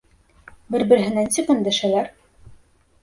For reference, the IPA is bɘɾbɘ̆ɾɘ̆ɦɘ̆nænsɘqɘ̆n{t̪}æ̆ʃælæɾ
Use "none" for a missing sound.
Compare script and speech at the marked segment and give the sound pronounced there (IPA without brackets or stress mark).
d̪